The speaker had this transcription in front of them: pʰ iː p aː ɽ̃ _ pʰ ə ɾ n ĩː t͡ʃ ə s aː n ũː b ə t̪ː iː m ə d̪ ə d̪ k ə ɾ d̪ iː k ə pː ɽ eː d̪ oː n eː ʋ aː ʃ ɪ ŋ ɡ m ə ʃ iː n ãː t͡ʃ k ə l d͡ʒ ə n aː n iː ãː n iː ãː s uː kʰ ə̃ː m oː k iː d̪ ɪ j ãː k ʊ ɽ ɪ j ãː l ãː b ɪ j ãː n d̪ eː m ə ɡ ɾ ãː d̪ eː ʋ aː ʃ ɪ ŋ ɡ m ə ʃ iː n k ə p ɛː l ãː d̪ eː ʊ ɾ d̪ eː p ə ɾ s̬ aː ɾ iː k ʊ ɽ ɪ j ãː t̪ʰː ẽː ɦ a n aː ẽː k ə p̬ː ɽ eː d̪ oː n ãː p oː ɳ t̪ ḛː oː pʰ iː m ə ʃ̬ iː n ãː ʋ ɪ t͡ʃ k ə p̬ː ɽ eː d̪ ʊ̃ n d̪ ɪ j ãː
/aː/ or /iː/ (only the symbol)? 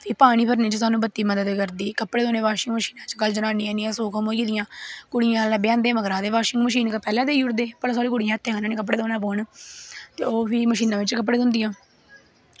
iː